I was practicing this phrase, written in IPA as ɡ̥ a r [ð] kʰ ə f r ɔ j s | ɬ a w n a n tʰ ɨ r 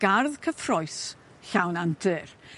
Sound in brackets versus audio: correct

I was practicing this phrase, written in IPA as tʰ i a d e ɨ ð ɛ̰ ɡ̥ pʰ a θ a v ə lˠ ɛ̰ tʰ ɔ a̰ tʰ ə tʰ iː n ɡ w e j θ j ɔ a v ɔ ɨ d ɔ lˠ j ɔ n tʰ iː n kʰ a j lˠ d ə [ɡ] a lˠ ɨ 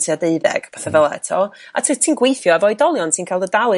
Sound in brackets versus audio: incorrect: d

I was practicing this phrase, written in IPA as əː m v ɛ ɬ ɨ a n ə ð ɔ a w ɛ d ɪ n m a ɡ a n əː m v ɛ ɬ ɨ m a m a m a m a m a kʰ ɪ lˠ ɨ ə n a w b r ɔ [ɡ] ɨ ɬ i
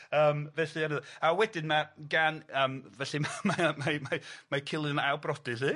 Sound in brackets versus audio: incorrect: d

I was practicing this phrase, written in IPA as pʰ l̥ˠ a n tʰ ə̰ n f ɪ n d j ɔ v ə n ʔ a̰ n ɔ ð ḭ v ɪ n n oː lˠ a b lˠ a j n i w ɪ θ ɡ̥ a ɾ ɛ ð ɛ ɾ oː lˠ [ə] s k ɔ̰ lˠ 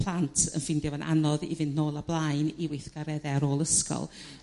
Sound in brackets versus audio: correct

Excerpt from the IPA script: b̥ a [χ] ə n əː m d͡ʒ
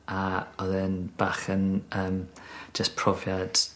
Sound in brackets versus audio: correct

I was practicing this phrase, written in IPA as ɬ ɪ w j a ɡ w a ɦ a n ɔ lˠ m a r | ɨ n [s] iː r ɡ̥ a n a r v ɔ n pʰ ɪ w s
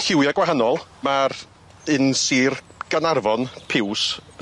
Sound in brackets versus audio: correct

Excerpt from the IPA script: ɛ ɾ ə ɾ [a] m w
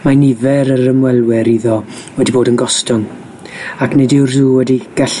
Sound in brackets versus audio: incorrect: ə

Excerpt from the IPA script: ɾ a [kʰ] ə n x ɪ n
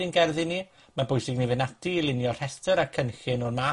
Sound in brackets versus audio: correct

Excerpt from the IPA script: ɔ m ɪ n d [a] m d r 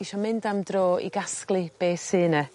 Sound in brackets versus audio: correct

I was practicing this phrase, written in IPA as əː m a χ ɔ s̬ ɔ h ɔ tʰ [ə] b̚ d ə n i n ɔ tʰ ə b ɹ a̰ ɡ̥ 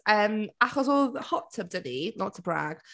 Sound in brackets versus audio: correct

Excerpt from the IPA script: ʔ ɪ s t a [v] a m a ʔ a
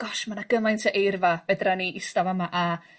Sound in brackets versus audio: correct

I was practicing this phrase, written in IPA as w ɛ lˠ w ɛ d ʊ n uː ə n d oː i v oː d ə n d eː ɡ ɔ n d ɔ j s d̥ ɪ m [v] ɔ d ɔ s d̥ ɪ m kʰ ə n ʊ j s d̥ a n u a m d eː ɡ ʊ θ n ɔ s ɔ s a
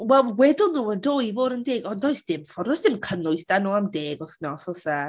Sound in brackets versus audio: incorrect: f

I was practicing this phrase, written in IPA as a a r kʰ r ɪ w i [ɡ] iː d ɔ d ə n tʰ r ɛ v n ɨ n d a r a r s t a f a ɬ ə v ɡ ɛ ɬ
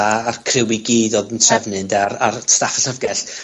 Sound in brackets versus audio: correct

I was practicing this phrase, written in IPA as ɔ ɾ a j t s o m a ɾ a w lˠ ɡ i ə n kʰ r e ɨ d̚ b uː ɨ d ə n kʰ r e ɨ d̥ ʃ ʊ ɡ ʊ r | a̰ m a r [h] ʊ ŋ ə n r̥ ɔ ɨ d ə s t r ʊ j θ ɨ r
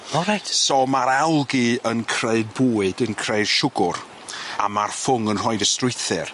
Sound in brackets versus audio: incorrect: f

